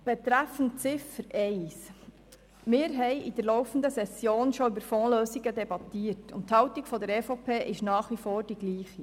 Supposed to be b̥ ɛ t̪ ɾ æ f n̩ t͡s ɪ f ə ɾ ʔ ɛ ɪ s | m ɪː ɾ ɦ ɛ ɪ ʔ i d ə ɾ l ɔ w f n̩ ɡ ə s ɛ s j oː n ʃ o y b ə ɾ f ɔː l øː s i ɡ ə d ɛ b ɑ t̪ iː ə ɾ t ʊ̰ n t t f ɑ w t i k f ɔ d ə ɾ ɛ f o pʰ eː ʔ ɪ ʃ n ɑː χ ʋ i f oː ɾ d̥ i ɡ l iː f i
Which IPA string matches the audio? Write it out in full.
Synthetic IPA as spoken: b̥ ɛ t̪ ɾ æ f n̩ t͡s ɪ f ə ɾ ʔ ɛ ɪ s | m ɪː ɾ ɦ ɛ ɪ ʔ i d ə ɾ l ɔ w f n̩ d ə s ɛ s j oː n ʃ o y b ə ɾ f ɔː l øː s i ɡ ə d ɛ b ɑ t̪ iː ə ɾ t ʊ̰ n t t h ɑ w t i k f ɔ d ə ɾ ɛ f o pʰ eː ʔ ɪ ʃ n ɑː χ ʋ i f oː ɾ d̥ i ɡ l iː χ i